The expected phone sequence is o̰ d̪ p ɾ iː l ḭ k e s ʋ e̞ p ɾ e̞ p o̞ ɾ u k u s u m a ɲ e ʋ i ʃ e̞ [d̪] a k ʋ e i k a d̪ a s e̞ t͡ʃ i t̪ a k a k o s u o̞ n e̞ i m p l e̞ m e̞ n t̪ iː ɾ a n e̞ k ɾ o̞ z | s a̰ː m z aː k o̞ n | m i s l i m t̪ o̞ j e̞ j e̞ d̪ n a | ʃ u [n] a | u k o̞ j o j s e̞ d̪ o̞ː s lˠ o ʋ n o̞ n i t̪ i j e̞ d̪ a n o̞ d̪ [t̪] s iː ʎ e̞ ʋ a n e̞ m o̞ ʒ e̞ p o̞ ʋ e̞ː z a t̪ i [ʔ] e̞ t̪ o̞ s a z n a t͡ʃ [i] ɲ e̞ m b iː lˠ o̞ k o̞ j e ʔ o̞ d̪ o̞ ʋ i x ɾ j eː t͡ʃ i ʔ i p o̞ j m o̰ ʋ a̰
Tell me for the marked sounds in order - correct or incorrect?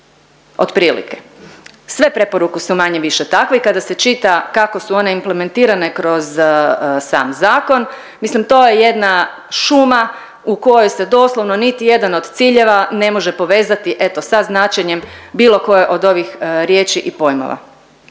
incorrect: t̪, incorrect: m, correct, correct, incorrect: e

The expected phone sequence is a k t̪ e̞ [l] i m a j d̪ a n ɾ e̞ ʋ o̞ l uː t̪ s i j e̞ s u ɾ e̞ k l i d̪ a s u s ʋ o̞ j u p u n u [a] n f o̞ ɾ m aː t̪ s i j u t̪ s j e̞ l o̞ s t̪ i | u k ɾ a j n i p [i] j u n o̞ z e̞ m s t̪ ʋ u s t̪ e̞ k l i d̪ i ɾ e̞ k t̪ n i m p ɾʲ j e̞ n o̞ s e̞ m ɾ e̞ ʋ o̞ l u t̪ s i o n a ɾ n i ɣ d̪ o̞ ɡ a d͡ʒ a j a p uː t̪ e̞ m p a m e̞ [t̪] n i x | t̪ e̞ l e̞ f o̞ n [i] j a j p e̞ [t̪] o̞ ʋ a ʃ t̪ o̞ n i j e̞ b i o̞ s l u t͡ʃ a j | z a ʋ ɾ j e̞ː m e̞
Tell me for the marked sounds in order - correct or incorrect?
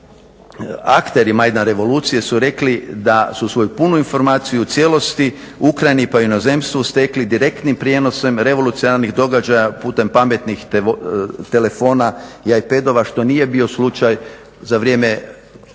incorrect: ɾ, incorrect: i, incorrect: a, correct, incorrect: a, incorrect: d̪

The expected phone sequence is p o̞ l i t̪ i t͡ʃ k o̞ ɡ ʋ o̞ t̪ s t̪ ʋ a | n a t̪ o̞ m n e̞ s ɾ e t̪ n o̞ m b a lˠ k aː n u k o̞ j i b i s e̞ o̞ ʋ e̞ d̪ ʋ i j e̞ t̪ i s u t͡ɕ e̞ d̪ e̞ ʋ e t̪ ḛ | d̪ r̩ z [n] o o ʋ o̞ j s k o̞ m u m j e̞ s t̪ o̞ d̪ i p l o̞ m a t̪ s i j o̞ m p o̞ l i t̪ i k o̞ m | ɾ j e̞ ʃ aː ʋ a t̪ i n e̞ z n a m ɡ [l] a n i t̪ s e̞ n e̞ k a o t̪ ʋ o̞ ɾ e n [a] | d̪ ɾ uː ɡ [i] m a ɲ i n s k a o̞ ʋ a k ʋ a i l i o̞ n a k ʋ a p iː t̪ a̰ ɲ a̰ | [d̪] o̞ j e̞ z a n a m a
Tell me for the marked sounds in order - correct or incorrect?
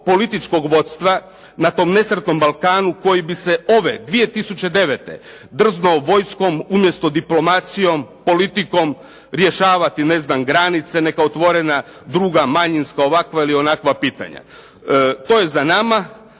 correct, incorrect: ɾ, correct, incorrect: a, incorrect: t̪

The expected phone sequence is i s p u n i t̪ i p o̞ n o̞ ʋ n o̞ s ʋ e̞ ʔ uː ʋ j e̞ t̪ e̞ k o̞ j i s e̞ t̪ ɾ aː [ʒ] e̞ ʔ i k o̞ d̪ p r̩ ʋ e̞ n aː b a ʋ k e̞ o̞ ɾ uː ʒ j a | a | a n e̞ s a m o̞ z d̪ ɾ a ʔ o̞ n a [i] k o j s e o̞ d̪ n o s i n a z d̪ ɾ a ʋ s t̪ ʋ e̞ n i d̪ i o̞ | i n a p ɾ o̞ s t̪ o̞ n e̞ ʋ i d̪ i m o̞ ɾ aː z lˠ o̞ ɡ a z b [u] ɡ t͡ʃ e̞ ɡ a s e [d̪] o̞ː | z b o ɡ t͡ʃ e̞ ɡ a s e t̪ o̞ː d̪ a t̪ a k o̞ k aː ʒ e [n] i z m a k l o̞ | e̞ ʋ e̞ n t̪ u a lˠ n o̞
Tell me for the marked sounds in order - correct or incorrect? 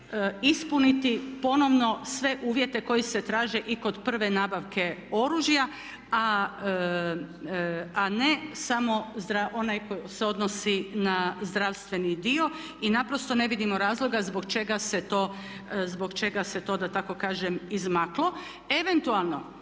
correct, incorrect: j, incorrect: o, incorrect: t̪, incorrect: m

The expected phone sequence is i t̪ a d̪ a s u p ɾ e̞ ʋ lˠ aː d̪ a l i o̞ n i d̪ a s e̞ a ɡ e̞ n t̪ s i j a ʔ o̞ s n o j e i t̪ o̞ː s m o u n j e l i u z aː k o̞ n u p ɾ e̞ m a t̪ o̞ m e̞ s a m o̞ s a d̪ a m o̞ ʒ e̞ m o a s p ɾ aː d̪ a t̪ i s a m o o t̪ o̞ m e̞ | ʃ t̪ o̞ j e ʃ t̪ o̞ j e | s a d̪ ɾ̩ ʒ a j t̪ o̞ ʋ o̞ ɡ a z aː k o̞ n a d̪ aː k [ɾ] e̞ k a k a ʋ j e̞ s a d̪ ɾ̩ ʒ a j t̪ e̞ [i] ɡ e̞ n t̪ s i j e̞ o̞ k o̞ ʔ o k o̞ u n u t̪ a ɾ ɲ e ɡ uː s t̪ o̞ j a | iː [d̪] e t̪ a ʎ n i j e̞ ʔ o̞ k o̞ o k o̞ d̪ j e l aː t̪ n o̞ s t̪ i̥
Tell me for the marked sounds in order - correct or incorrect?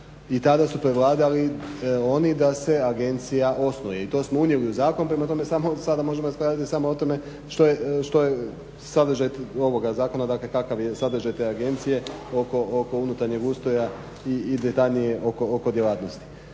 incorrect: l, incorrect: a, correct

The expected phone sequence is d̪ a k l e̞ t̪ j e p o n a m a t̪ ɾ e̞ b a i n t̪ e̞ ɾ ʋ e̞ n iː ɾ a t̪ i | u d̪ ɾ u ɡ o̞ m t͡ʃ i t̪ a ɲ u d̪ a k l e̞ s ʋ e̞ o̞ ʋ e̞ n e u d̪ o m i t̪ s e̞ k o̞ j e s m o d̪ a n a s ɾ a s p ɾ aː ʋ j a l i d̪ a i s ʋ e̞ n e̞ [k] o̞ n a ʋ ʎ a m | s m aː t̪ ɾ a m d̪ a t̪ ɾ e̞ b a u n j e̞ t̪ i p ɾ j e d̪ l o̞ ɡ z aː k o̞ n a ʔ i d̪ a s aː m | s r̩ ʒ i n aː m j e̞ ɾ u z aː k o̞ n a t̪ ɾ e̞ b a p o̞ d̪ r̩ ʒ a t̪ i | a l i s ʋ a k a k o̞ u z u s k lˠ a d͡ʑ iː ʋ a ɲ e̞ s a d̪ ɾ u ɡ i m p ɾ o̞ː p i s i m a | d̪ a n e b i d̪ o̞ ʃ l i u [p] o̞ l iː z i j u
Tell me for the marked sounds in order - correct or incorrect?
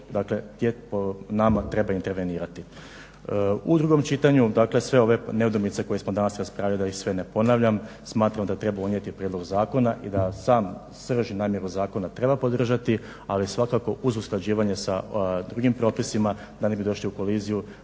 incorrect: p, incorrect: k

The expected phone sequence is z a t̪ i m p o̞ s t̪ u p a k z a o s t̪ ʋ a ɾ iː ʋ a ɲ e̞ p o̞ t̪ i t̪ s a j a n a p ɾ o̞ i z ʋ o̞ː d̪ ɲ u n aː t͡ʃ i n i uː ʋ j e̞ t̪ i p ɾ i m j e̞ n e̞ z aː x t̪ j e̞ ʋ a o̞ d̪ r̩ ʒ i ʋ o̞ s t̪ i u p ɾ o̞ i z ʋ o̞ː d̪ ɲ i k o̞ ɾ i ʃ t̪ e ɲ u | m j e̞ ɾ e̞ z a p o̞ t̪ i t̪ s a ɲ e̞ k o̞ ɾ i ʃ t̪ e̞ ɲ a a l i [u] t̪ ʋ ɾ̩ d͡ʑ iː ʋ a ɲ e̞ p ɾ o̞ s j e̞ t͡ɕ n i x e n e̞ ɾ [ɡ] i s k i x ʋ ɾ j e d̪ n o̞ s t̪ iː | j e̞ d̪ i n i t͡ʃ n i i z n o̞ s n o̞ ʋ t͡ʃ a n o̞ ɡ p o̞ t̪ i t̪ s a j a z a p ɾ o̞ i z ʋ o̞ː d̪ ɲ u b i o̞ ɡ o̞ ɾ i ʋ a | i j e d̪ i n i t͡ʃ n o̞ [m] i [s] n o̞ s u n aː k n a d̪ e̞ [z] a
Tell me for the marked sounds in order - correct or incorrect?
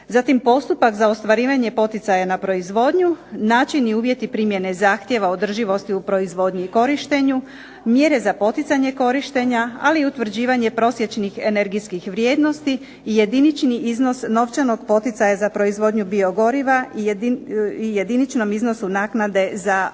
correct, correct, correct, incorrect: z, correct

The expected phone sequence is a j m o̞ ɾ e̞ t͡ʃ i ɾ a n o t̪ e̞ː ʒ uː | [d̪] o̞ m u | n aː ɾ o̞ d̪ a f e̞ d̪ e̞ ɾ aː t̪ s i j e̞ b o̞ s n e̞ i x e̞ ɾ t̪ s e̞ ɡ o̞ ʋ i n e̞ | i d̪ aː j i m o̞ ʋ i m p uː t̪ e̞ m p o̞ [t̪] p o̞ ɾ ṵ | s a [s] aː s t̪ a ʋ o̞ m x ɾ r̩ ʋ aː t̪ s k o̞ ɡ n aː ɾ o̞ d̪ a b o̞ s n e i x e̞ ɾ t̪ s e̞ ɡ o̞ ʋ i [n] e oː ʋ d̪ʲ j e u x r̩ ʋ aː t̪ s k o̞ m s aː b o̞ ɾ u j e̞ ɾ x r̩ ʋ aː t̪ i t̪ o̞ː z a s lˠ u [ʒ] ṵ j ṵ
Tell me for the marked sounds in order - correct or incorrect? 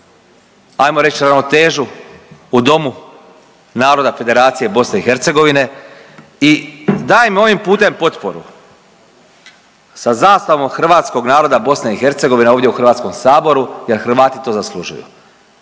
correct, correct, incorrect: z, correct, correct

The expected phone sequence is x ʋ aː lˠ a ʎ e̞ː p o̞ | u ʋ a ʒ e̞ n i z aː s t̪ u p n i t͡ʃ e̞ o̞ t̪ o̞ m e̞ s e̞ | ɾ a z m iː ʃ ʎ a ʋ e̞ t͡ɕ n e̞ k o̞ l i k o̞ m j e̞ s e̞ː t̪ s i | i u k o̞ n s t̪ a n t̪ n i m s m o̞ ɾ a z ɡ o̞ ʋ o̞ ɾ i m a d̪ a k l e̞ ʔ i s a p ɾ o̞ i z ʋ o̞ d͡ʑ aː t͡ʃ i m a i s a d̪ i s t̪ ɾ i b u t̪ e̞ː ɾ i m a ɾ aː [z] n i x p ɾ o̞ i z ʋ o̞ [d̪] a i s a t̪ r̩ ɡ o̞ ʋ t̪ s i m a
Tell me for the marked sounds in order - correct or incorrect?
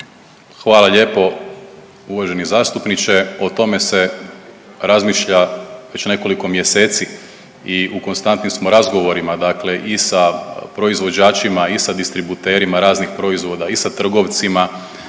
correct, correct

